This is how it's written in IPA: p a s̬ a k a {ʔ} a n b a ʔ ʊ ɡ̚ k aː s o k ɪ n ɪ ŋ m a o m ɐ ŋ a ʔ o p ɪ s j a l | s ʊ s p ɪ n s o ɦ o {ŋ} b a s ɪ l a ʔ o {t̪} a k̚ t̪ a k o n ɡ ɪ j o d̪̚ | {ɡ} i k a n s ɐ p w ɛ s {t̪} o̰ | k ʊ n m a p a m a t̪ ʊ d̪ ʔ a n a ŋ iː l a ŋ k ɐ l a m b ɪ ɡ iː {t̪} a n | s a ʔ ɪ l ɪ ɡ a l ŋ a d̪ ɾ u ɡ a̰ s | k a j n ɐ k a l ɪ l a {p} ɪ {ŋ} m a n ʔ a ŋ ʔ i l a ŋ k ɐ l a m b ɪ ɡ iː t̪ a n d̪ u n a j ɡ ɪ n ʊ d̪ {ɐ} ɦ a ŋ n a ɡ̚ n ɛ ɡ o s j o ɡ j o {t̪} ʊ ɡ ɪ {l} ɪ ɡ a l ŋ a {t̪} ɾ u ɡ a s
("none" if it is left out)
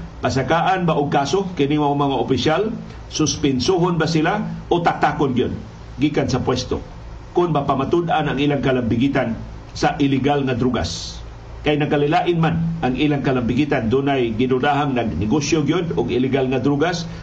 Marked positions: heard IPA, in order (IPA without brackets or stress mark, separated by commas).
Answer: ʔ, n, t̪, ɡ, t̪, t̪, ʔ, n, a, d̪, l, d̪